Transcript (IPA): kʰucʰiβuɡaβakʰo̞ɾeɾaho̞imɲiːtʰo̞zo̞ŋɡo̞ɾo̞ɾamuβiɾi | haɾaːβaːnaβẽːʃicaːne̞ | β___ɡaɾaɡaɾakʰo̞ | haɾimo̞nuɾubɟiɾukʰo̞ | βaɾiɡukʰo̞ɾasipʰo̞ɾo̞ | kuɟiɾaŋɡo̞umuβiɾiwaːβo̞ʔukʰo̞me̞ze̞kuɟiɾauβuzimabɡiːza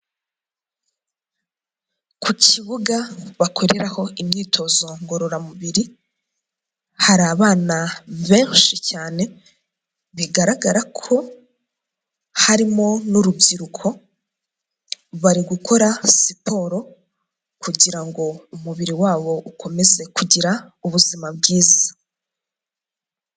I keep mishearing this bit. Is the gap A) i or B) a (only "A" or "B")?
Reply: A